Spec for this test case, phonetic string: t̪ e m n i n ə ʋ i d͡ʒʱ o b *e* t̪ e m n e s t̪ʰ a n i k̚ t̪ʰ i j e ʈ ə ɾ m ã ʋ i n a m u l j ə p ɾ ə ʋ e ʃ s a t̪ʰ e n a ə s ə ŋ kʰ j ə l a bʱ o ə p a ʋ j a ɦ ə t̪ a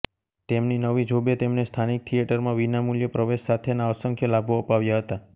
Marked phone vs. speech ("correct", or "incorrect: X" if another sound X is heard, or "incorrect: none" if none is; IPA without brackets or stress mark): correct